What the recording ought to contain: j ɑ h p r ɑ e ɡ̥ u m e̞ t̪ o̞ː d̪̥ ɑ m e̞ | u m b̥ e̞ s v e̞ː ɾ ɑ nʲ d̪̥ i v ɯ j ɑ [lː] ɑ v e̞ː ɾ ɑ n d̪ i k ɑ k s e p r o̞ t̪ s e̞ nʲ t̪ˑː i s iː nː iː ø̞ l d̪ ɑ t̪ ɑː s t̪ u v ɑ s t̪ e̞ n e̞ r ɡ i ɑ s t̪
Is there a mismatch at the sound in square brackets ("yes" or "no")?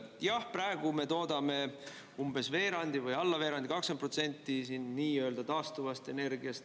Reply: no